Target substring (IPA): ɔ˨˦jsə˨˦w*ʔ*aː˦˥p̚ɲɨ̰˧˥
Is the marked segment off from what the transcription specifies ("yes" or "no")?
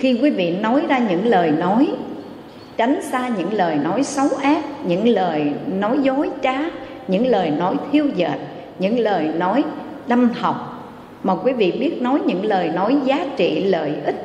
no